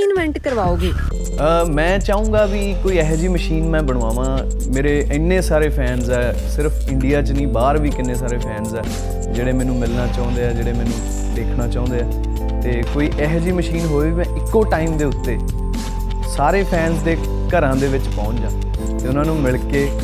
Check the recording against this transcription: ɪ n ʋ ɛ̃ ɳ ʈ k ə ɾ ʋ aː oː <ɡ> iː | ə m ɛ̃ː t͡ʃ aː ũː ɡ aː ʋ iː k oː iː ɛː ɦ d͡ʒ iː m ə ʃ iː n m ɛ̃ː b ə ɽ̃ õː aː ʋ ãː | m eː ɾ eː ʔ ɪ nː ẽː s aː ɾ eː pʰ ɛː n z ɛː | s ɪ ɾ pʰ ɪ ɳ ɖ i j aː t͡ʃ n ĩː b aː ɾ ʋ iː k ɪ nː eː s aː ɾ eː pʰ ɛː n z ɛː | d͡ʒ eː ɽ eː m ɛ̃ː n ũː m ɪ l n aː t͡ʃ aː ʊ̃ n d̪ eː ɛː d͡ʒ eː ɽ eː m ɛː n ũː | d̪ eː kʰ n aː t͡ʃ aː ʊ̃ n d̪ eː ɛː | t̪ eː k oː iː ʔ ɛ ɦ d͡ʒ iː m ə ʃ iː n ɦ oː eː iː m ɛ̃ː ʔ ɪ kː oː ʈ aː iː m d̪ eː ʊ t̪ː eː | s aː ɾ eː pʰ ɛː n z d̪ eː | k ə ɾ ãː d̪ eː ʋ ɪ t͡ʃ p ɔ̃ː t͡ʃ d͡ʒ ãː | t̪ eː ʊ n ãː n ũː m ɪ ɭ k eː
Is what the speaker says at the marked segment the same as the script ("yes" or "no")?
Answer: yes